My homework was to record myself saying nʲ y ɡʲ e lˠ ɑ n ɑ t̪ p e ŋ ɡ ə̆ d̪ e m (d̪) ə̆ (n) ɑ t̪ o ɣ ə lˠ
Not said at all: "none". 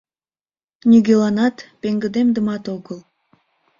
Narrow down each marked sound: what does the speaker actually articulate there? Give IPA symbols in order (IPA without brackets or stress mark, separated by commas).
d̪, m